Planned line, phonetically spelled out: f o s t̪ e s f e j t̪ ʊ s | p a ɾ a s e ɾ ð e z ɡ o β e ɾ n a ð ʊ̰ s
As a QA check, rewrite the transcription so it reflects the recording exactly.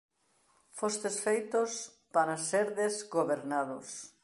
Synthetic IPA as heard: f o s t̪ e s f e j t̪ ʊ s | p a ɾ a s e ɾ ð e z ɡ o β e ɾ n a ð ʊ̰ s